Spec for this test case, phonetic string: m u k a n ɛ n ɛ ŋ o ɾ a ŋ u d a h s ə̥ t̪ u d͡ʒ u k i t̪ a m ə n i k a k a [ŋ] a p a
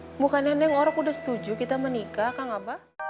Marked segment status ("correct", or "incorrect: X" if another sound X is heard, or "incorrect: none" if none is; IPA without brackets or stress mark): correct